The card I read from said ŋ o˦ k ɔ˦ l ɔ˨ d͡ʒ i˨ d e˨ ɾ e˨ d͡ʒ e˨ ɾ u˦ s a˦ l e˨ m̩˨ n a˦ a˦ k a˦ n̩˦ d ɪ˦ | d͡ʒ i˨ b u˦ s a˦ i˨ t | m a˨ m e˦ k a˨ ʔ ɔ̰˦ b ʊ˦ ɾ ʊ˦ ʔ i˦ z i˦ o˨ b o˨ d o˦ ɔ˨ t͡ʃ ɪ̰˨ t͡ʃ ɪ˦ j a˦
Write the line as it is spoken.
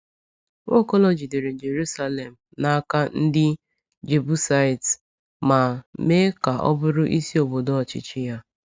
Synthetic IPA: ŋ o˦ k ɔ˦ l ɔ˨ d͡ʒ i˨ d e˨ ɾ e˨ d͡ʒ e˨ ɾ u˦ s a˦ l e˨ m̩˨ n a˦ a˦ k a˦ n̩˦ d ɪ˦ | d͡ʒ e˨ b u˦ s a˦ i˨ t | m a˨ m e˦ k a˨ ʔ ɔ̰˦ b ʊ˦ ɾ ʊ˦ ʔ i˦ s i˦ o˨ b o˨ d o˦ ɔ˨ t͡ʃ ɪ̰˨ t͡ʃ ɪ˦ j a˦